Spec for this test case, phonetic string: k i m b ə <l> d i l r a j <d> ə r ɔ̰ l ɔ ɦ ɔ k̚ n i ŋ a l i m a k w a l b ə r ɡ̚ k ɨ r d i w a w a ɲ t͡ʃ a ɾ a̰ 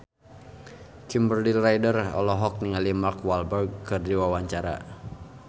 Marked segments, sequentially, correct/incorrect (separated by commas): incorrect, correct